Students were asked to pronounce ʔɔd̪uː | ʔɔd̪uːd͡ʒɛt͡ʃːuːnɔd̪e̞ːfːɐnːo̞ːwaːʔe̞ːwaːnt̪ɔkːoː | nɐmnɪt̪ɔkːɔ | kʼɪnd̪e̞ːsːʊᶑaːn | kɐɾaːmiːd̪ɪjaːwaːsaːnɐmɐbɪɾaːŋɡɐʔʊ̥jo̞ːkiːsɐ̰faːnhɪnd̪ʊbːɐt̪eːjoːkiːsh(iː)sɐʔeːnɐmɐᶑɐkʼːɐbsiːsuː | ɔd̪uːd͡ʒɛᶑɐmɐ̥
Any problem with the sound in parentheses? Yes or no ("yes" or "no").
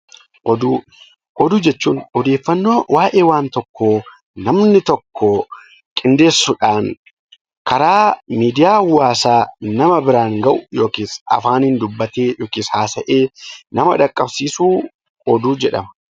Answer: yes